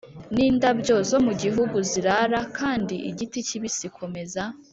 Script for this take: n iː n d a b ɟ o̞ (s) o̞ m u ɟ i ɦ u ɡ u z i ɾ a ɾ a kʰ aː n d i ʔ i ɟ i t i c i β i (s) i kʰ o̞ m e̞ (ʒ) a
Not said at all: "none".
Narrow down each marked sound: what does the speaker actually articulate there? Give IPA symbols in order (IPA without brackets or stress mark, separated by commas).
z, s, z